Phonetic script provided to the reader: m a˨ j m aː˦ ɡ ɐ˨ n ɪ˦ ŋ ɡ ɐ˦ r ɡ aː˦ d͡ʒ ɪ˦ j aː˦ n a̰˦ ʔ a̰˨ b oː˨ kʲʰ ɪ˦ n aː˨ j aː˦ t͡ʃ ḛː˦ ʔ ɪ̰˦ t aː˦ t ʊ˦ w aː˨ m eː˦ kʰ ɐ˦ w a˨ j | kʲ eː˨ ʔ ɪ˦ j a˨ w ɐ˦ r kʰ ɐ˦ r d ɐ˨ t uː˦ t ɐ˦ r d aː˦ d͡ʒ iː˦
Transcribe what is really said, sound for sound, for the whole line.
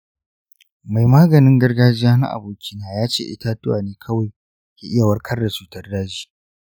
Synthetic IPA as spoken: m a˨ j m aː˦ ɡ ɐ˨ n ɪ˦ ŋ ɡ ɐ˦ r ɡ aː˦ d͡ʒ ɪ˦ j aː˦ n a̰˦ ʔ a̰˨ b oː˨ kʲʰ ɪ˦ n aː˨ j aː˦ t͡ʃ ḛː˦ ʔ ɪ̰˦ t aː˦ t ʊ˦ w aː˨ n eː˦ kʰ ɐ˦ w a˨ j | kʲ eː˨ ʔ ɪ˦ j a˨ w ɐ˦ r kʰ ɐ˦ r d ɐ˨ t͡ʃ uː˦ t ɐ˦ r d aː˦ d͡ʒ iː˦

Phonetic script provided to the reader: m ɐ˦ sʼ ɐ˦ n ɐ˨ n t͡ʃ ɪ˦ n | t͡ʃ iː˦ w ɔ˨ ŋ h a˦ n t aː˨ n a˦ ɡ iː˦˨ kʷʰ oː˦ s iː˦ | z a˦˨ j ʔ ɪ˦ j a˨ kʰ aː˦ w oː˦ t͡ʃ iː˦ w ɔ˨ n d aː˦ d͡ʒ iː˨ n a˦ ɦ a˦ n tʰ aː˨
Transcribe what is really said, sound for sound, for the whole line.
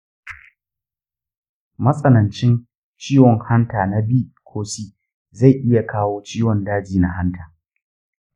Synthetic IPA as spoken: m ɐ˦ sʼ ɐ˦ n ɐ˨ n t͡ʃ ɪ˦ n | t͡ʃ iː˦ w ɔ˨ ŋ h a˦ n t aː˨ n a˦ b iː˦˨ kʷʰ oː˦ s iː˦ | z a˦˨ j ʔ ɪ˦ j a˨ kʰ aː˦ w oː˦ t͡ʃ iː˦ w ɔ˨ n d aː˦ d͡ʒ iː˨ n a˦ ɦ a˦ n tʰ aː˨

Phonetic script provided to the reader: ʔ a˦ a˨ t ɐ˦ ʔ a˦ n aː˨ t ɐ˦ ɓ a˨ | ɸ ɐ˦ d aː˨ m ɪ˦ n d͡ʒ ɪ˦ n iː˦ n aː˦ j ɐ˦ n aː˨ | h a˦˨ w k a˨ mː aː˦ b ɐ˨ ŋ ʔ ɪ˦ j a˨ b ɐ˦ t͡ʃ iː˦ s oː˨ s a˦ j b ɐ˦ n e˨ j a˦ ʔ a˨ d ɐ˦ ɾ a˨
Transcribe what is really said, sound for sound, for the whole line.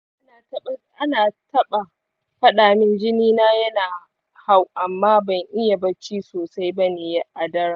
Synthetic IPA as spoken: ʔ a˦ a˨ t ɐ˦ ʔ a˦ n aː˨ t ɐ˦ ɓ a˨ | ɸ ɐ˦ ɗ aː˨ m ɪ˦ n d͡ʒ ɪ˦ n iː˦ n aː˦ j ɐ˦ n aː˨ | h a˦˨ w ʔ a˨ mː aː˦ b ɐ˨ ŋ ʔ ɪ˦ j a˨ b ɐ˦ t͡ʃ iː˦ s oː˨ s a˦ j b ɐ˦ n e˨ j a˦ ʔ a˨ d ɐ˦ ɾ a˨

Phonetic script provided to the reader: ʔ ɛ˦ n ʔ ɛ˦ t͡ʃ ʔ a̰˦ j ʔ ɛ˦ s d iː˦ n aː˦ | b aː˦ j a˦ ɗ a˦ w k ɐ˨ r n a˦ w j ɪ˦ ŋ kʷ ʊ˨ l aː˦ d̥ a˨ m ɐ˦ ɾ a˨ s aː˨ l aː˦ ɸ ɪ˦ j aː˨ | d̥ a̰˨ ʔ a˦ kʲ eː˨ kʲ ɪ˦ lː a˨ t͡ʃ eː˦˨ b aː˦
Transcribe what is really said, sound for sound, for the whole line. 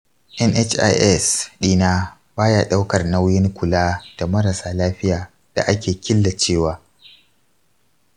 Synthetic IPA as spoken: ʔ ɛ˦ n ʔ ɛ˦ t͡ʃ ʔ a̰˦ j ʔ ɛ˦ s ɗ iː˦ n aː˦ | b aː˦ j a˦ ɗ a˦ w k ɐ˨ r n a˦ w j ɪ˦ ŋ kʷ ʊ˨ l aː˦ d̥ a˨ m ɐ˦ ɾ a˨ s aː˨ l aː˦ ɸ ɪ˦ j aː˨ | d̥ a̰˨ ʔ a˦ kʲ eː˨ kʲ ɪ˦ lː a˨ t͡ʃ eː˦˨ w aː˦

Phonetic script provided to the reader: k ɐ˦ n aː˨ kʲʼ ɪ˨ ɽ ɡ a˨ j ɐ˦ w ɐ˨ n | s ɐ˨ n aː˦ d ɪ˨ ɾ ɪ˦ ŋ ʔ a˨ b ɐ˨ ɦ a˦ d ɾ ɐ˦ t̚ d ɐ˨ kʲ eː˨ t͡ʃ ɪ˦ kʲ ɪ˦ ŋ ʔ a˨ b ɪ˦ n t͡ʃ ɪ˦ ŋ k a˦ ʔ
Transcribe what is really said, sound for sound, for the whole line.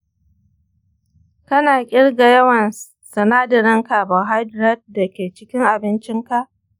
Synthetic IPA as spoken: k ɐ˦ n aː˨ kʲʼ ɪ˦ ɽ ɡ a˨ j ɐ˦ w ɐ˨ n | s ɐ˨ n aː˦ d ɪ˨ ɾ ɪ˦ ŋ k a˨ b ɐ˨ ɦ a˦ d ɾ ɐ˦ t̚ d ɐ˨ kʲ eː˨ t͡ʃ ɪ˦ kʲ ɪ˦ ŋ ʔ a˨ b ɪ˦ n t͡ʃ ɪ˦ ŋ k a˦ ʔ

